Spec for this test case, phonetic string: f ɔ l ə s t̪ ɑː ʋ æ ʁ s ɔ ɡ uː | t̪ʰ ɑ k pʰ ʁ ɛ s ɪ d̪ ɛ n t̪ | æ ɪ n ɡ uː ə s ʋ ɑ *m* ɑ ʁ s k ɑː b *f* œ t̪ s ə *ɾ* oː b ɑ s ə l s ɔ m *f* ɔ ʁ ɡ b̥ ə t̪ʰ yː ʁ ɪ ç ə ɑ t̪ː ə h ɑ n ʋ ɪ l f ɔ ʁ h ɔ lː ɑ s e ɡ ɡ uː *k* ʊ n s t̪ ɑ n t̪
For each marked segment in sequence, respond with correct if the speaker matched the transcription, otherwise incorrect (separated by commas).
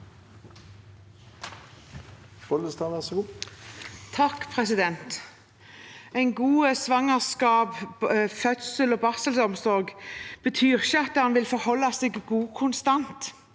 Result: incorrect, correct, incorrect, incorrect, incorrect